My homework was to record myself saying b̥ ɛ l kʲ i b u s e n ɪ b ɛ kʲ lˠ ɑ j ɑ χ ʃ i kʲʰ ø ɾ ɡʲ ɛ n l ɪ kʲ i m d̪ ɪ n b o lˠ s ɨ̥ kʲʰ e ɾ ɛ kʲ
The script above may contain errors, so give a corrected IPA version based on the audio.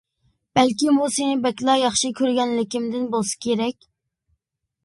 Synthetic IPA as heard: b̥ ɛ l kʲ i m u s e n ɪ b ɛ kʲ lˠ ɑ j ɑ χ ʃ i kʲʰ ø ɾ ɡʲ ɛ n l ɪ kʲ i m d̪ ɪ n b o lˠ s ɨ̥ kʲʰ e ɾ ɛ kʲ